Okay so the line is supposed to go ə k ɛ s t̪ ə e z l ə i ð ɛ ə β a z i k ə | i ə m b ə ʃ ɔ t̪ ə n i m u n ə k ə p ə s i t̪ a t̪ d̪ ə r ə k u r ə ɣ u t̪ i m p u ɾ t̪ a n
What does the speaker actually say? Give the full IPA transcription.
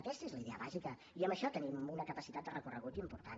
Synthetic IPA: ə k ɛ s t̪ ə e z l ə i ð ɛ ə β a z i k ə | i ə m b ə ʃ ɔ t̪ ə n i m u n ə k ə p ə s i t̪ a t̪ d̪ ə r ə k u r ə ɣ u t̪ i m p u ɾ t̪ a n